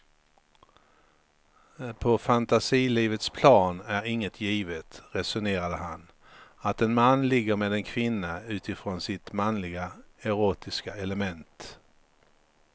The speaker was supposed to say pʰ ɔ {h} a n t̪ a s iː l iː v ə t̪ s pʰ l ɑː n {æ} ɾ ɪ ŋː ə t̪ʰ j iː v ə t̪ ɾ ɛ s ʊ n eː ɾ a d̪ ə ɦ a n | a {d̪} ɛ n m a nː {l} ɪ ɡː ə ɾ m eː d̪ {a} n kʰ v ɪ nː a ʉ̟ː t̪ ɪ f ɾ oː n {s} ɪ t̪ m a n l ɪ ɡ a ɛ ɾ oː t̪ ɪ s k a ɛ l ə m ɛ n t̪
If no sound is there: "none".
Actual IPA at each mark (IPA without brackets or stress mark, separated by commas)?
f, æ, t̪, l, ɛ, s